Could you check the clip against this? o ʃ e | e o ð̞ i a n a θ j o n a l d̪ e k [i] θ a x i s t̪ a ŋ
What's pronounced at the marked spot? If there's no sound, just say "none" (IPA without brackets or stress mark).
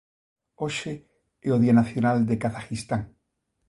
a